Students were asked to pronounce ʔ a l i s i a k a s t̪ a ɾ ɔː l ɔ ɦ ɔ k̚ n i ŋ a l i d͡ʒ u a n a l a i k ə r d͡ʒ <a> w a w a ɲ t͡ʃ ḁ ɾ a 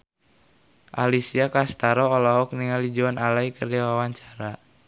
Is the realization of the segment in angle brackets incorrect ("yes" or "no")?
no